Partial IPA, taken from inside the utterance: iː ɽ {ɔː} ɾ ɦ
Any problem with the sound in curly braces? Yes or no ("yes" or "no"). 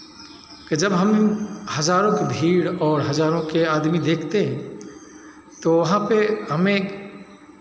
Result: no